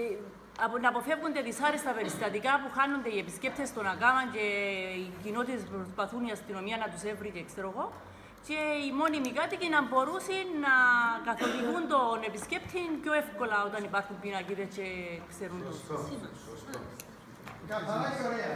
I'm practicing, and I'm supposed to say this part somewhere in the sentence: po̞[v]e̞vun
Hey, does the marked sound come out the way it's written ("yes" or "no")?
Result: no